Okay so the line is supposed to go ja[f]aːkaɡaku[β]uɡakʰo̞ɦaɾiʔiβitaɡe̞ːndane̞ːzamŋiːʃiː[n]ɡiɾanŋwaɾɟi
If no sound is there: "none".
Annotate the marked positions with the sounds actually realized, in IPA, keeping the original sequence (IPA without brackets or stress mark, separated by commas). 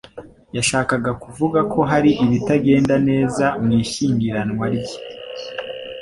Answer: ʃ, v, ŋ